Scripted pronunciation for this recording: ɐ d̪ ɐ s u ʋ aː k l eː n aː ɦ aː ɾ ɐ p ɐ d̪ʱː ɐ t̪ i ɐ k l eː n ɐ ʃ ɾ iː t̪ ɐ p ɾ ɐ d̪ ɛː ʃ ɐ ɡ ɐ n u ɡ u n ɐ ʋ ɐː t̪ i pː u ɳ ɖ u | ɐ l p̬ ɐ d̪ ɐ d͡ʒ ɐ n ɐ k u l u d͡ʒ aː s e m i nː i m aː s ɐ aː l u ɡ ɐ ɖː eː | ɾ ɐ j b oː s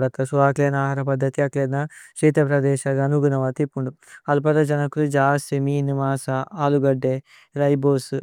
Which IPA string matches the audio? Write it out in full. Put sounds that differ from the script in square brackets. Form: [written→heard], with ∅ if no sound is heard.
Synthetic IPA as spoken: ɐ [d̪→t̪] ɐ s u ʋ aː k l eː n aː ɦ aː ɾ ɐ p ɐ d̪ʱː ɐ t̪ i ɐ k l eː n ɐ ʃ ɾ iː t̪ ɐ p ɾ ɐ d̪ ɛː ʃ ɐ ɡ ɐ n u ɡ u n ɐ ʋ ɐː t̪ i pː u ɳ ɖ u | ɐ l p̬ ɐ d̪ ɐ d͡ʒ ɐ n ɐ k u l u d͡ʒ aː s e m i [nː→n] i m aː s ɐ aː l u ɡ ɐ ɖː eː | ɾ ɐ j b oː s